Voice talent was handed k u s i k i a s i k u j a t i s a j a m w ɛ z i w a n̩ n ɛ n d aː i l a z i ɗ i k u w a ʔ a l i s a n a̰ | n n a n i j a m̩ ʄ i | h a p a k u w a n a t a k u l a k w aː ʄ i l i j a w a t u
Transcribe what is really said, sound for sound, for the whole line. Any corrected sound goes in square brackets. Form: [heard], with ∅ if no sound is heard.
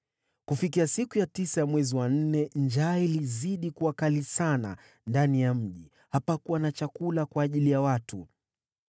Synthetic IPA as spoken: k u [f] i k i a s i k u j a t i s a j a m w ɛ z i w a n̩ n ɛ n [d͡ʒ] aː i l [i] z i ɗ i k u w a [k] a l i s a n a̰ | n [d] a n i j a m̩ ʄ i | h a p a k u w a n a [t͡ʃ] a k u l a k w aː ʄ i l i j a w a t u